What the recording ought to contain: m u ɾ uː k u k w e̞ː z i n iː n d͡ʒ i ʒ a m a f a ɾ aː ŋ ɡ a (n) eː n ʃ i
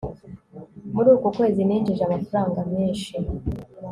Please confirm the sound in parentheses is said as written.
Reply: no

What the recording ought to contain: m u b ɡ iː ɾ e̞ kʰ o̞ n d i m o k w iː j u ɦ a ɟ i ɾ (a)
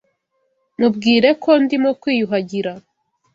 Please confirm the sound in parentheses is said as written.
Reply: yes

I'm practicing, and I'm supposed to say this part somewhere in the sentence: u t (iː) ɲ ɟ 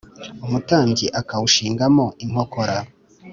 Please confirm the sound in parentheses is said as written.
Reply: no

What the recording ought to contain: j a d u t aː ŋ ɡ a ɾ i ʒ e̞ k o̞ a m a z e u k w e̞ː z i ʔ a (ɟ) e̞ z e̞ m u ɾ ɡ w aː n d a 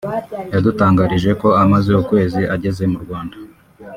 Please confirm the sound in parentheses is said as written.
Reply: yes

